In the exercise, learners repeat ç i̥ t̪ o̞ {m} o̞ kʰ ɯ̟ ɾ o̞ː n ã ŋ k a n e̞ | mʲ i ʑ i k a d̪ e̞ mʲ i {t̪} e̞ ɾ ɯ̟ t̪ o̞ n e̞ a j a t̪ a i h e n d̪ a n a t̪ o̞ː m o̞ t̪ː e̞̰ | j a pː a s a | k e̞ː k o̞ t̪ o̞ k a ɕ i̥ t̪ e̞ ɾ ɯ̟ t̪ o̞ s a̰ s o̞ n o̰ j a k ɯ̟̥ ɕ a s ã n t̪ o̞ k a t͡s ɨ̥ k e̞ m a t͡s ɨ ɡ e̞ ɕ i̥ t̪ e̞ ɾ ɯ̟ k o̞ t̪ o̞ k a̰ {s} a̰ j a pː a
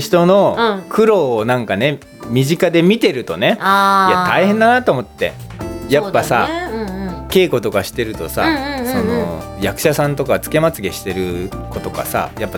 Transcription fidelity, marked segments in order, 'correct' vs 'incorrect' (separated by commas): incorrect, correct, correct